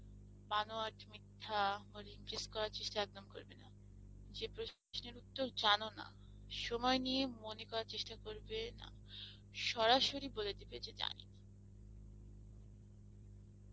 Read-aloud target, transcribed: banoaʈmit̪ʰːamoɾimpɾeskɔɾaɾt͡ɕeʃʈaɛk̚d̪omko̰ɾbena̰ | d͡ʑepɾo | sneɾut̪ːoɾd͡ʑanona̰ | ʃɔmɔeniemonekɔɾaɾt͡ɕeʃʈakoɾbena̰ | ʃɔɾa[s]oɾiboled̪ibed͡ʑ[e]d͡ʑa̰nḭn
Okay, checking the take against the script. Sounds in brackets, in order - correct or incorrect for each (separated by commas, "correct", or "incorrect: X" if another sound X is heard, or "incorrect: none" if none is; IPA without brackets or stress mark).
incorrect: ʃ, correct